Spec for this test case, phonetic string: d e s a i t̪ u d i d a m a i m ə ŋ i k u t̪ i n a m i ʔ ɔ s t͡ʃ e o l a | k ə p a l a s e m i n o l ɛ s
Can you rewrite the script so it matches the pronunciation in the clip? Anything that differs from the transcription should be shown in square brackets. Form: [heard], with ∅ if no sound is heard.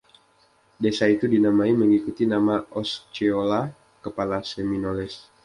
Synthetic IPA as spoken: d e s a i t̪ u d i [n] a m a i m ə ŋ i k u t̪ i n a m [a] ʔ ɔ s t͡ʃ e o l a | k ə p a l a s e m i n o l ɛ s